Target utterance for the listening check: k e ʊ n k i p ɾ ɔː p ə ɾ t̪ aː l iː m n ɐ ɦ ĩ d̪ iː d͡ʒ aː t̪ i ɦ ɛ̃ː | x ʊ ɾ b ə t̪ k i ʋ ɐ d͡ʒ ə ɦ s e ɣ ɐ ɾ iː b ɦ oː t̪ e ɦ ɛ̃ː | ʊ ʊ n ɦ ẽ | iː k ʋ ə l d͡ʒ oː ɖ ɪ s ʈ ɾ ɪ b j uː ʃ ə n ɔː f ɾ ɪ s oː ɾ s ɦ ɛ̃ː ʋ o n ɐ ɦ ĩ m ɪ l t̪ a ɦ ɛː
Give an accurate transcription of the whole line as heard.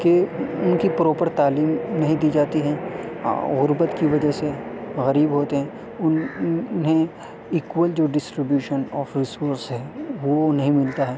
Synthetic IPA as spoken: k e ʊ n k i p ɾ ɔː p ə ɾ t̪ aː l iː m n ɐ ɦ ĩ d̪ iː d͡ʒ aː t̪ i ɦ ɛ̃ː | ɣ ʊ ɾ b ə t̪ k i ʋ ɐ d͡ʒ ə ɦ s e ɣ ɐ ɾ iː b ɦ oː t̪ e ɦ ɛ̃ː | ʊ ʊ n ɦ ẽ | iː k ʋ ə l d͡ʒ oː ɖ ɪ s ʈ ɾ ɪ b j uː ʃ ə n ɔː f ɾ ɪ s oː ɾ s ɦ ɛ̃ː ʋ o n ɐ ɦ ĩ m ɪ l t̪ a ɦ ɛː